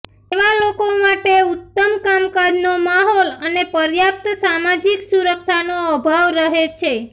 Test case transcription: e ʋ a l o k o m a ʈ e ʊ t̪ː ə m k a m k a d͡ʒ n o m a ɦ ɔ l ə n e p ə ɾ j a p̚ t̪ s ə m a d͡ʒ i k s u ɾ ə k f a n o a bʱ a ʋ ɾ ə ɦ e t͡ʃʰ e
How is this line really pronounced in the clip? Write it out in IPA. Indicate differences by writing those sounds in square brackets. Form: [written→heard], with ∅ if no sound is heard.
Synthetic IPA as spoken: e ʋ a l o k o m a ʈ e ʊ t̪ː ə m k a m k a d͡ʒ n o m a ɦ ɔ l ə n e p ə ɾ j a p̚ t̪ s [ə→a] m a d͡ʒ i k s u ɾ ə k [f→ʃ] a n o [a→ə] bʱ a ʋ ɾ ə ɦ e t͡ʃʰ e